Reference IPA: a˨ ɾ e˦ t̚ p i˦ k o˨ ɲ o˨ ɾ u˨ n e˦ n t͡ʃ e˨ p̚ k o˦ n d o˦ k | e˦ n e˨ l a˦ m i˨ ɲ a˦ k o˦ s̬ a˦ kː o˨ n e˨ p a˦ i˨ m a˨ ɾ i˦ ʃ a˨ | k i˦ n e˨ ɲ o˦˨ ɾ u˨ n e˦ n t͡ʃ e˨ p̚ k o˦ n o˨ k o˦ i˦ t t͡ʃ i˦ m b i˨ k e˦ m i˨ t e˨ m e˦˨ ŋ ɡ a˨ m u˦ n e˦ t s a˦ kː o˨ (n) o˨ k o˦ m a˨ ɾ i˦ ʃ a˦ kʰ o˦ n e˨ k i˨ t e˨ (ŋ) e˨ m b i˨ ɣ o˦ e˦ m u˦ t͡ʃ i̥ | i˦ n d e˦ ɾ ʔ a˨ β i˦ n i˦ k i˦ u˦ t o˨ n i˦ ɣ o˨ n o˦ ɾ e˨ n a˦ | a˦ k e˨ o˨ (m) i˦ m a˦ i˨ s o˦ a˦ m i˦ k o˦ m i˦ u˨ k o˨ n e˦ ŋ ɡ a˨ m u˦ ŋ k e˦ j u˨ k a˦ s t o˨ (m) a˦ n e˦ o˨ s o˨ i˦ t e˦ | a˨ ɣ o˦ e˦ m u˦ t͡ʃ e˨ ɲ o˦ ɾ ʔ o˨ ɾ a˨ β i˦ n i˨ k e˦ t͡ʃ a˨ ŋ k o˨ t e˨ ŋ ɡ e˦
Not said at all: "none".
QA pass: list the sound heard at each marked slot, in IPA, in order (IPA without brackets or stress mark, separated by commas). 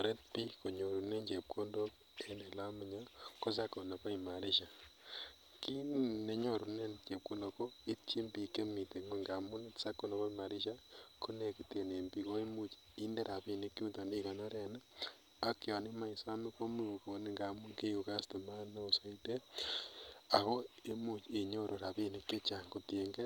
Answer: n, n, n, m